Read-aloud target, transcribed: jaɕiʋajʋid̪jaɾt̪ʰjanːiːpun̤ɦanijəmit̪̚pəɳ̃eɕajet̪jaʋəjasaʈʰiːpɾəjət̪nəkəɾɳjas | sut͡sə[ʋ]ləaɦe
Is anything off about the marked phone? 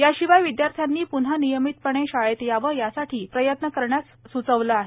no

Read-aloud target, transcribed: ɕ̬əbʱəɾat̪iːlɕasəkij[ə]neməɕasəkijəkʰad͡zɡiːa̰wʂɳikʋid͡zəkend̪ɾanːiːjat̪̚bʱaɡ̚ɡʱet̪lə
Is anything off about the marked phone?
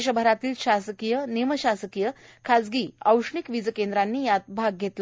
no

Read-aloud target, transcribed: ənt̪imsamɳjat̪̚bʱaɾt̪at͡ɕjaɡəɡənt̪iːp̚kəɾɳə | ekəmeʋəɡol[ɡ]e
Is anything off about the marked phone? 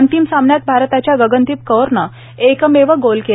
yes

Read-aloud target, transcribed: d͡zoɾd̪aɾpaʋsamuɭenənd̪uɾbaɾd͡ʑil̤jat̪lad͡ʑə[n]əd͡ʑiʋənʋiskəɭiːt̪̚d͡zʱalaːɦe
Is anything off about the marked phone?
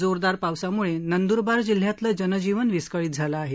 no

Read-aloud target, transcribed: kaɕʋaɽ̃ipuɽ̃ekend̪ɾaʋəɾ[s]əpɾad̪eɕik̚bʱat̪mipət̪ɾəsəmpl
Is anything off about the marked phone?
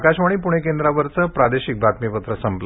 yes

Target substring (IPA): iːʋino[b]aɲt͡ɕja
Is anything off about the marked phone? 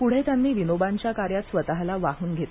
no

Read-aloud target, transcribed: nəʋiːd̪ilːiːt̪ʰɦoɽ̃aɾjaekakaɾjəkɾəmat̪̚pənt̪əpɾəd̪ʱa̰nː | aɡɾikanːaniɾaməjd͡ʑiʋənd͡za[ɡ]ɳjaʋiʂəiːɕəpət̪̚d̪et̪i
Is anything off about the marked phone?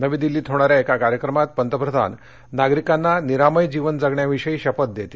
no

